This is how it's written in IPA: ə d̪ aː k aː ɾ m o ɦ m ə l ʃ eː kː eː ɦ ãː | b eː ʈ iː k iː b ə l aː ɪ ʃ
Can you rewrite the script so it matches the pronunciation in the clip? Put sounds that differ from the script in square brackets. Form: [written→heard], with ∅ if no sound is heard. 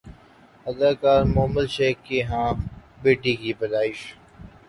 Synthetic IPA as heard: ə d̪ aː k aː ɾ m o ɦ m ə l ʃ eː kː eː ɦ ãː | b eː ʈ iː k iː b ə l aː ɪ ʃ